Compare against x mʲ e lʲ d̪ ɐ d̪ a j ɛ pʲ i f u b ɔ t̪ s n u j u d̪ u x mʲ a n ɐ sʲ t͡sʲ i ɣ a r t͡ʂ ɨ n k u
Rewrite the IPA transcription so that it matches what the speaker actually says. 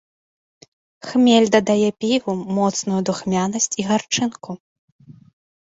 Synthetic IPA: x mʲ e lʲ d̪ ɐ d̪ a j ɛ pʲ i v u m ɔ t̪ s n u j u d̪ u x mʲ a n ɐ sʲ t͡sʲ i ɣ a r t͡ʂ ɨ n k u